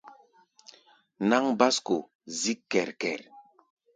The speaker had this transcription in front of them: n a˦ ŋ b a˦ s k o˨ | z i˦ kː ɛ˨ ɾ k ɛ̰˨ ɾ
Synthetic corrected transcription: n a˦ ŋ b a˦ s k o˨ | z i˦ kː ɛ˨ ɾ k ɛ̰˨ ɾ